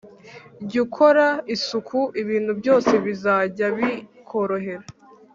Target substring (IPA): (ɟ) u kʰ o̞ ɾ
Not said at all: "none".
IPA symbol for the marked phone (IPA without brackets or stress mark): ɟ